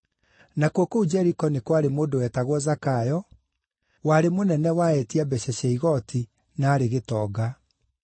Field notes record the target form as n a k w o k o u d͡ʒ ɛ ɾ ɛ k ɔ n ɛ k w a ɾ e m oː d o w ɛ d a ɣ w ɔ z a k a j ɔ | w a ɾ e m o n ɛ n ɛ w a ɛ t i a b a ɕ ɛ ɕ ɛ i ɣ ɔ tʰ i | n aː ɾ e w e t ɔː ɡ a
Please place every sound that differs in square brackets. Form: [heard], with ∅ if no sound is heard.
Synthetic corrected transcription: n a k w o k o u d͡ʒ ɛ ɾ [i] k ɔ n [e] k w a ɾ e m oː d o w ɛ [t] a ɣ w ɔ z a k a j ɔ | w a ɾ e m o n ɛ n ɛ w a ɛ t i a b [ɛ] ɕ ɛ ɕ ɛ i ɣ ɔ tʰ i | n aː ɾ e [ɣ] e t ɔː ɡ a